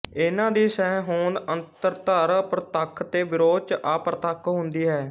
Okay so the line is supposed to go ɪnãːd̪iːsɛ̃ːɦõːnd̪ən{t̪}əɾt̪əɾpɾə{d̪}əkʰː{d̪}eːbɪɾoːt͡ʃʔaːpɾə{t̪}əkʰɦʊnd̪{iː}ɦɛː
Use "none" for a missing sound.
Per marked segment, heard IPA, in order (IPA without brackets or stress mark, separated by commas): t̪, t̪, t̪, t̪, iː